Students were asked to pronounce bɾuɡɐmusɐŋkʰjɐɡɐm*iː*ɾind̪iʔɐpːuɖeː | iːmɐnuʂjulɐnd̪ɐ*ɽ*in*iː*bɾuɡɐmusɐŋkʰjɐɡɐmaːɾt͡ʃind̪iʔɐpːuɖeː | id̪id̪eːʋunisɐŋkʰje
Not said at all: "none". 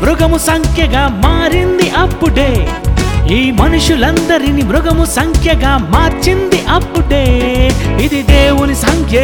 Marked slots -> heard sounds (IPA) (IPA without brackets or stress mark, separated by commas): aː, ɾ, i